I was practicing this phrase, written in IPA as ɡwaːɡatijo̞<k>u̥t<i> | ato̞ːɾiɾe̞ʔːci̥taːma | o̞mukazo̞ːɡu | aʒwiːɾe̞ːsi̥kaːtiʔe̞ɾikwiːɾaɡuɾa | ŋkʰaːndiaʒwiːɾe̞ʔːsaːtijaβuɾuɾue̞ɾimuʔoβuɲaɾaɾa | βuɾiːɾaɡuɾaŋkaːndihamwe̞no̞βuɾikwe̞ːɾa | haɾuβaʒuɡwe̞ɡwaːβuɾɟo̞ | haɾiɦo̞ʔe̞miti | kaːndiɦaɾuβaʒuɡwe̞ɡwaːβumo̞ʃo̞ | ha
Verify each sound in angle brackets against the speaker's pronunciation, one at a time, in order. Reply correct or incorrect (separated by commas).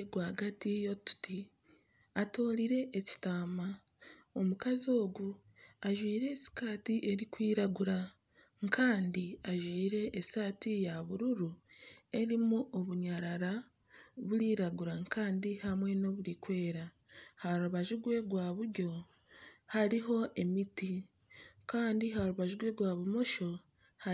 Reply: incorrect, correct